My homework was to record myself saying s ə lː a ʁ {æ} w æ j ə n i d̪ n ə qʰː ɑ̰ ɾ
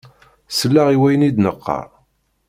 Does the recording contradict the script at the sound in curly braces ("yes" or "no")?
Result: yes